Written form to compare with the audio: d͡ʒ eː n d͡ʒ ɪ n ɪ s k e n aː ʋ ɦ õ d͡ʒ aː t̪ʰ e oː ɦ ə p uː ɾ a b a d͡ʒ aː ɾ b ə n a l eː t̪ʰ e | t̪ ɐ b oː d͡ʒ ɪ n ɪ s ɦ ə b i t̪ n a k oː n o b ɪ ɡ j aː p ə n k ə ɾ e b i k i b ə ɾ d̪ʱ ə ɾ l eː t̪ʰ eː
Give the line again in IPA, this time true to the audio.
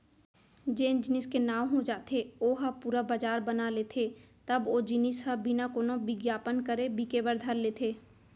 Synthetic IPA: d͡ʒ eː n d͡ʒ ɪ n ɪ s k e n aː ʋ ɦ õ d͡ʒ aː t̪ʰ e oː ɦ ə p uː ɾ a b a d͡ʒ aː ɾ b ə n a l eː t̪ʰ e | t̪ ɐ b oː d͡ʒ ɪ n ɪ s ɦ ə b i n a k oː n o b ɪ ɡ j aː p ə n k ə ɾ e b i k e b ə ɾ d̪ʱ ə ɾ l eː t̪ʰ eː